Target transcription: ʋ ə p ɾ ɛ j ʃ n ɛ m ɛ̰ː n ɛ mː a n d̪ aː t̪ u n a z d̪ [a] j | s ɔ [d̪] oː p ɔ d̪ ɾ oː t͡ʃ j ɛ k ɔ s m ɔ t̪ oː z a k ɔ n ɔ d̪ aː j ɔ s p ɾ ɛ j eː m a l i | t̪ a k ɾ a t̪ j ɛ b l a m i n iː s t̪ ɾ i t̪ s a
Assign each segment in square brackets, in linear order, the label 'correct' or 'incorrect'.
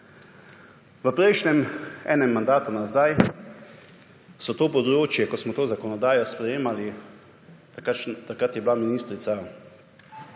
correct, incorrect

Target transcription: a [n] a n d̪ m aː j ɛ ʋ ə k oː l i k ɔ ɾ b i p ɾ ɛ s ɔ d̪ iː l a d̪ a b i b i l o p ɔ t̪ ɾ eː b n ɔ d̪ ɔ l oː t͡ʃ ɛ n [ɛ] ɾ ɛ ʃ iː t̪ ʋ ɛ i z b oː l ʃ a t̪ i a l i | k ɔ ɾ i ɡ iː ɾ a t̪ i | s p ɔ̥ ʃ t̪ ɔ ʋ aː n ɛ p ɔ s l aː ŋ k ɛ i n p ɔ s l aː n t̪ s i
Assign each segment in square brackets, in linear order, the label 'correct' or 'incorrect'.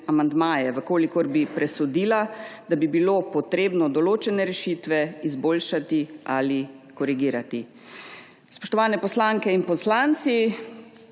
incorrect, correct

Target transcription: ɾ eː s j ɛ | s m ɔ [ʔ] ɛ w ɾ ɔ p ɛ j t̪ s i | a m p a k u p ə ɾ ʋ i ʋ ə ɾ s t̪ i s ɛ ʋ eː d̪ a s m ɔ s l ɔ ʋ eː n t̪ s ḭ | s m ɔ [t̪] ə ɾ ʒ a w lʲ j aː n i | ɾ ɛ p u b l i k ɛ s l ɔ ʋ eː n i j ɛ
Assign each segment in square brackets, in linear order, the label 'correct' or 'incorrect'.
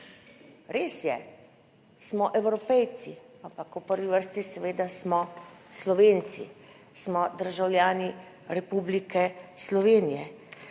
correct, incorrect

